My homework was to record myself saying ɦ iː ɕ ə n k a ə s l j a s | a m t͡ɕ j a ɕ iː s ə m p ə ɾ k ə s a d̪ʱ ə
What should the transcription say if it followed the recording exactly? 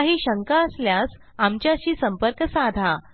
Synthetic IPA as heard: ɦ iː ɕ ə ŋ k a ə s l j a s | a m t͡ɕ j a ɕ iː s ə m p ə ɾ k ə s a d̪ʱ a